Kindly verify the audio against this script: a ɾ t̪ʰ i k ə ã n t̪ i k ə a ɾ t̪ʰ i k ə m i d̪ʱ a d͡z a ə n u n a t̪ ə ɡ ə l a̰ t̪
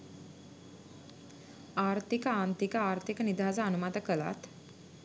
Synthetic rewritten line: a ɾ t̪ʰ i k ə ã n t̪ i k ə a ɾ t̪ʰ i k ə n i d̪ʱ a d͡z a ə n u m a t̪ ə k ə l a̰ t̪